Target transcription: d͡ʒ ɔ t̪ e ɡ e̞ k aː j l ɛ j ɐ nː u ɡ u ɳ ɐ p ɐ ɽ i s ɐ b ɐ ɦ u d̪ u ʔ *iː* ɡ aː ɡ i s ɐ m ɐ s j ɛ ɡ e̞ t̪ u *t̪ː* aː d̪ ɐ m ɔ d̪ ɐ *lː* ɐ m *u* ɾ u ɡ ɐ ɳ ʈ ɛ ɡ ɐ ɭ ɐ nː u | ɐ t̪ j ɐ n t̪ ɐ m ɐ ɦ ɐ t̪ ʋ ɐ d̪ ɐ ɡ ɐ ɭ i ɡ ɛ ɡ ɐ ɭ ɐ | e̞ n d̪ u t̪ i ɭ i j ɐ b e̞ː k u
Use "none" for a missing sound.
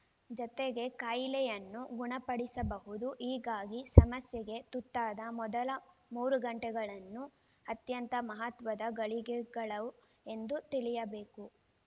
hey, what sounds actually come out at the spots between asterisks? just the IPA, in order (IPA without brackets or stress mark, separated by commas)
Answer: iː, t̪ː, l, uː